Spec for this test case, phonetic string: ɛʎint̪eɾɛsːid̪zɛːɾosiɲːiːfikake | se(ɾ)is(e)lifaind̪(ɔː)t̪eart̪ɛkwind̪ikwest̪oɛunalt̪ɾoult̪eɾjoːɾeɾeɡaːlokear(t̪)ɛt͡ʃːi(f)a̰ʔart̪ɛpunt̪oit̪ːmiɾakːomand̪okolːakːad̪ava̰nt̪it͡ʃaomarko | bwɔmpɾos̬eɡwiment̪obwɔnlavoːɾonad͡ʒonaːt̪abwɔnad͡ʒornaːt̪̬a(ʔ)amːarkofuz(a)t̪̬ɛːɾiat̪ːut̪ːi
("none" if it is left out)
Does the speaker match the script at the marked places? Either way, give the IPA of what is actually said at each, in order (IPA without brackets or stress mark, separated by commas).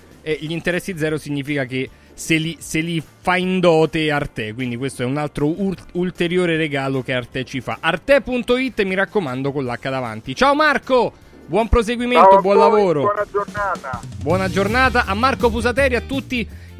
l, e, ɔː, t̪, f, ʔ, a